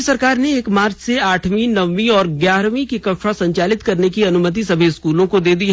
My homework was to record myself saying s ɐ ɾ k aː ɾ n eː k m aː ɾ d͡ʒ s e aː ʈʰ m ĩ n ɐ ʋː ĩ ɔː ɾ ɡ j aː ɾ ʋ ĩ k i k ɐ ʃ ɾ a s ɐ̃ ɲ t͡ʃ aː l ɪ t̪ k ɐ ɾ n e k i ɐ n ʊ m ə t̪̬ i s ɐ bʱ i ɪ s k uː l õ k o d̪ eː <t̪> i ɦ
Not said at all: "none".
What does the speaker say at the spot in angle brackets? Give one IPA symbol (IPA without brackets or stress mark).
d̪